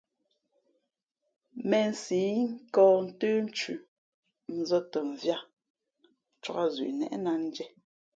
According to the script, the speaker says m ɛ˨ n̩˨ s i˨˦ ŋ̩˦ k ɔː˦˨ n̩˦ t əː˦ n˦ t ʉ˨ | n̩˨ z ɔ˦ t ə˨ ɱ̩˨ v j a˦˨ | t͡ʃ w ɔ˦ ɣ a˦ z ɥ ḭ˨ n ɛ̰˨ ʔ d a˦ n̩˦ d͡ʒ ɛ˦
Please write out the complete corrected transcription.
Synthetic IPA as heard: m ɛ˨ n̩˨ s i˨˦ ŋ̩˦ k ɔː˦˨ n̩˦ t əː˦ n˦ t͡ʃ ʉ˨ | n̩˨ z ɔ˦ t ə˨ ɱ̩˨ v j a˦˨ | t͡ʃ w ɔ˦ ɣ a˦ z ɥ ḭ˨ n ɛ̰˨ ʔ n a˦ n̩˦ d͡ʒ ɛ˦

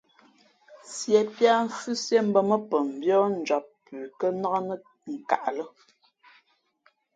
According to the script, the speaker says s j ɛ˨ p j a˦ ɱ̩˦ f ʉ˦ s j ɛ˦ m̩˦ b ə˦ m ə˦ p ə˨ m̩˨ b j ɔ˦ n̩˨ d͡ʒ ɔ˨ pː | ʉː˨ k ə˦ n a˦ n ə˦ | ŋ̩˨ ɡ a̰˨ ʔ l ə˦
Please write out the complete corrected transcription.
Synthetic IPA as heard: s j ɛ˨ p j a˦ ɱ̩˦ f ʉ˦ s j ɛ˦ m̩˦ b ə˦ m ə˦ p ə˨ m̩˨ b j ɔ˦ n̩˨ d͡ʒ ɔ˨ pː | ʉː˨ k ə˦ n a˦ n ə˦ | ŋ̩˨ k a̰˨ ʔ l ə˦

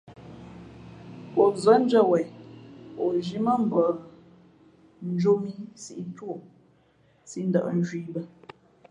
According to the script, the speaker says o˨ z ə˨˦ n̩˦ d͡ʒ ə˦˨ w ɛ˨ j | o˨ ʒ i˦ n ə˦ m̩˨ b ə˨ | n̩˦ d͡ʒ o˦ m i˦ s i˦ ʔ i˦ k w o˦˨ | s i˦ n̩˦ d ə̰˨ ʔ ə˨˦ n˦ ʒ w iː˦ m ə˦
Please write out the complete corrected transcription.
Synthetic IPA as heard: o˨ z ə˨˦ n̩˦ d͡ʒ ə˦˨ w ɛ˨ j | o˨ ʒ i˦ m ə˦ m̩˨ b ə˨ | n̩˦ d͡ʒ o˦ m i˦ s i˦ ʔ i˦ t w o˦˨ | s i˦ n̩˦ d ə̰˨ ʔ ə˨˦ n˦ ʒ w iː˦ b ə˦

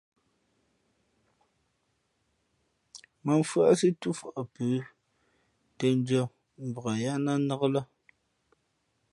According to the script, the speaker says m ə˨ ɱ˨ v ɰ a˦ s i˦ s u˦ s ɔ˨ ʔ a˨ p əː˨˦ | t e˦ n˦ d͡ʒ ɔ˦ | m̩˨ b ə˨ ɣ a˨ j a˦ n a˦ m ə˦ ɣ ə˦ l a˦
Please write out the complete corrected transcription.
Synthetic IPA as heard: m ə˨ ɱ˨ f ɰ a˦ s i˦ t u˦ f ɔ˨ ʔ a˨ p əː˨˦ | t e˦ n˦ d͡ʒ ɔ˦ | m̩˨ b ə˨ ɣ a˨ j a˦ n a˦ n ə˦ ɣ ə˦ l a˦

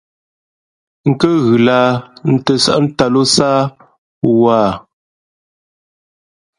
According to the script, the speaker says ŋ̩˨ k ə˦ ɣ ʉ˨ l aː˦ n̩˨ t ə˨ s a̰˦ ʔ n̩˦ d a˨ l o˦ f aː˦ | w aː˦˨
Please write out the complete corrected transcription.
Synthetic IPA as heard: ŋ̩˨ k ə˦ ɣ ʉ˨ l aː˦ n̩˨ t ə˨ s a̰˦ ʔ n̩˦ t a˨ l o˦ s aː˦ | w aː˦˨

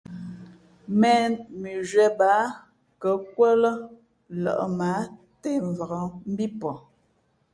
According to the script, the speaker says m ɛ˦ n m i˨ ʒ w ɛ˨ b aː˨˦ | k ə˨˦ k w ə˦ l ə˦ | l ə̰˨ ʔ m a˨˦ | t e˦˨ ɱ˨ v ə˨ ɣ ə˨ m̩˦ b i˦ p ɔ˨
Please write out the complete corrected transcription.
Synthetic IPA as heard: m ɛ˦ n m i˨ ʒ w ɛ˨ b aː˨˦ | k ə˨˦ k w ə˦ l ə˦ | l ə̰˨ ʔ m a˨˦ | t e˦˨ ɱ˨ v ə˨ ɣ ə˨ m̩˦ b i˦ p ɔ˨

